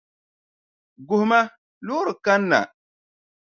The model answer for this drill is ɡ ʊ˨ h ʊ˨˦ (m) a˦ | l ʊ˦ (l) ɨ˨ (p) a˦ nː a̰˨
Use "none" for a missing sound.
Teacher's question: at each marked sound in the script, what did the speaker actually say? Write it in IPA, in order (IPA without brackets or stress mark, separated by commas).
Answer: m, ɾ, k